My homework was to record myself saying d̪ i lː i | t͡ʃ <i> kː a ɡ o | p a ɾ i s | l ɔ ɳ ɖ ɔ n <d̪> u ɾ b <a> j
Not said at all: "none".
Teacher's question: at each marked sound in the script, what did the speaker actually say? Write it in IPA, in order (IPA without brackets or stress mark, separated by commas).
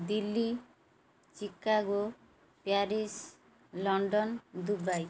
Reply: i, d̪, a